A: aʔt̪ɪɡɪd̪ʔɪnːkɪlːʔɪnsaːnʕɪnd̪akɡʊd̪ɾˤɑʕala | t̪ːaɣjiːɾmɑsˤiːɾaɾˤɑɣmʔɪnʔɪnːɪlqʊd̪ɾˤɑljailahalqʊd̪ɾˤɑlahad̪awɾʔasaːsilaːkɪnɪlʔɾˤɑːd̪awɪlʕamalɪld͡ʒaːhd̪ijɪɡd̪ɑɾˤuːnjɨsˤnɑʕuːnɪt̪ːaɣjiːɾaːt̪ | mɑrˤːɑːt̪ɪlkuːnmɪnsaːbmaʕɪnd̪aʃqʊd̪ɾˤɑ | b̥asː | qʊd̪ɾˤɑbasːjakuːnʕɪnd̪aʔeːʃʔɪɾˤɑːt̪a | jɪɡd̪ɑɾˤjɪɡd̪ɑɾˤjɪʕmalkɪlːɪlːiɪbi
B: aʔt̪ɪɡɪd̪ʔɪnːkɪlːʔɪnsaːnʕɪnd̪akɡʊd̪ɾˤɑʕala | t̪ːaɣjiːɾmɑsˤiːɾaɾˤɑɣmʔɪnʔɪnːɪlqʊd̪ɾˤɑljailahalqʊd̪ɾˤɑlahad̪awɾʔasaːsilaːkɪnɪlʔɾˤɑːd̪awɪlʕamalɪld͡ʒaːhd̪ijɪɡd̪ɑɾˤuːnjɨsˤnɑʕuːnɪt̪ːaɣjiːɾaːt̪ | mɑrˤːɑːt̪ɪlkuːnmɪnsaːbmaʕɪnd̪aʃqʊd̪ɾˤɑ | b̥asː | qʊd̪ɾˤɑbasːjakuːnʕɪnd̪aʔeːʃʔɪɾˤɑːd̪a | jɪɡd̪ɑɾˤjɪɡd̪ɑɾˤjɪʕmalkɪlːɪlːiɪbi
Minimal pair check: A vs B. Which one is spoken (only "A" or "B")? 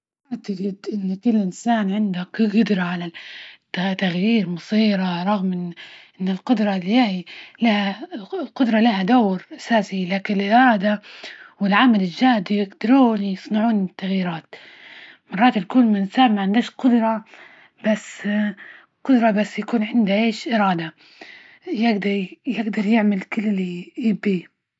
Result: B